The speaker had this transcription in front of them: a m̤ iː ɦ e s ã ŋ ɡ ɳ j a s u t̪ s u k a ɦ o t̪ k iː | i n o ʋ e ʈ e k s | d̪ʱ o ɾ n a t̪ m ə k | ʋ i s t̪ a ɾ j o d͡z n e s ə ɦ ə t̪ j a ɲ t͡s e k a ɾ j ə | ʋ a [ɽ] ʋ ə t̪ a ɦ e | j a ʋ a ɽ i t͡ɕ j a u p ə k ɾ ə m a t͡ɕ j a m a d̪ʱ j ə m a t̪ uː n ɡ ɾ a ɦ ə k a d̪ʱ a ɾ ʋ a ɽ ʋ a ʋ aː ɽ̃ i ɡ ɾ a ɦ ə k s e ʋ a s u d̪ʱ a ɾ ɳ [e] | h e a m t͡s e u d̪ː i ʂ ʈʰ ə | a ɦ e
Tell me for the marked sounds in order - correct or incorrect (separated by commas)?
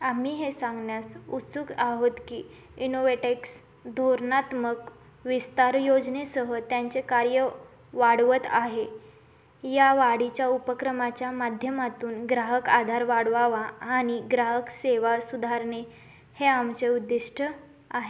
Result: correct, correct